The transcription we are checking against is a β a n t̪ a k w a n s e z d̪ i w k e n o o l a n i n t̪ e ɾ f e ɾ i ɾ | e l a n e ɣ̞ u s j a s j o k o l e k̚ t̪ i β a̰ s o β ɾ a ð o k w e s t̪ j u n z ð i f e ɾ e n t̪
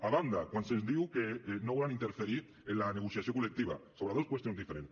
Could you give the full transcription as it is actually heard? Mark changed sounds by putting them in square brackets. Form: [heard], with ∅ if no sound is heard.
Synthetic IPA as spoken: a β a n [d̪] a k w a n s e z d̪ i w k e n o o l a n i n t̪ e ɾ f e ɾ i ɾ | e l a n e ɣ̞ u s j a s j o k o l e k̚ t̪ i β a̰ s o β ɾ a ð o k w e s t̪ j [o] n z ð i f e ɾ e n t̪